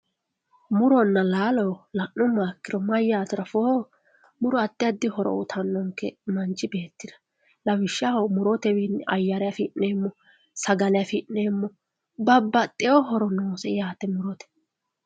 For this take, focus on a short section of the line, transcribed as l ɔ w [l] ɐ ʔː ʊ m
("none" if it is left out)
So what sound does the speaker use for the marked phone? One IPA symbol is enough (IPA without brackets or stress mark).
l